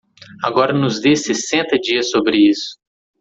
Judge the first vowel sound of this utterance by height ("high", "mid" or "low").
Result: low